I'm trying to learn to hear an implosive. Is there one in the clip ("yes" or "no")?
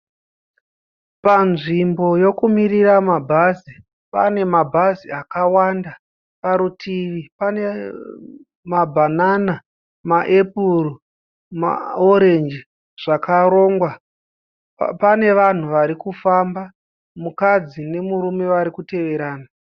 no